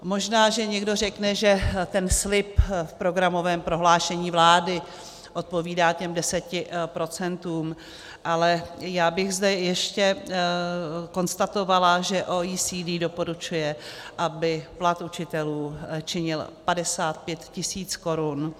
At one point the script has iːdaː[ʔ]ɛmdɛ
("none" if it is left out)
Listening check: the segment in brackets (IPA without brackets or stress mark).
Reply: c